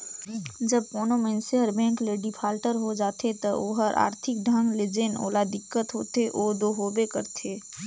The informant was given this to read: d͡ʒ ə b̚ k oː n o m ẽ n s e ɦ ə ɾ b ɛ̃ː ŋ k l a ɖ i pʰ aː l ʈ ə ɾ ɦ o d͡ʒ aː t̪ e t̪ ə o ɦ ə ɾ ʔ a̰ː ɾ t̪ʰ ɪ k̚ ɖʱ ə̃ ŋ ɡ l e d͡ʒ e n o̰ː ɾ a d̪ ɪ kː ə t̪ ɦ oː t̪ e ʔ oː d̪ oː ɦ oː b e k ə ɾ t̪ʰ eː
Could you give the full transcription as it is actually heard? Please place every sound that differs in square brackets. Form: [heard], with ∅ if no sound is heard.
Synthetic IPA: d͡ʒ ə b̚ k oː n o m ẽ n s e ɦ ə ɾ b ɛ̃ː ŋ k l [e] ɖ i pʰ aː l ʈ ə ɾ ɦ o d͡ʒ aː t̪ e t̪ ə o ɦ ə ɾ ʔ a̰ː ɾ t̪ʰ ɪ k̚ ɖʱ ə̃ ŋ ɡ l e d͡ʒ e n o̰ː [l] a d̪ ɪ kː ə t̪ ɦ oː t̪ e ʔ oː d̪ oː ɦ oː b e k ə ɾ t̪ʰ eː